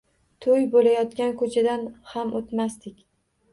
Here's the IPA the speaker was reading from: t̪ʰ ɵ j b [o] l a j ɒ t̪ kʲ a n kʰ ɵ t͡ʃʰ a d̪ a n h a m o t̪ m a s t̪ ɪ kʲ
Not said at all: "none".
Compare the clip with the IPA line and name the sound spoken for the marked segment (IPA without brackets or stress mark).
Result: o